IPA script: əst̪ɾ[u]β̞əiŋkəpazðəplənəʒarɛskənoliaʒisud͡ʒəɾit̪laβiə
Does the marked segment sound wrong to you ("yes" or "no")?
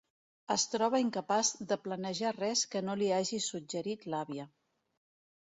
yes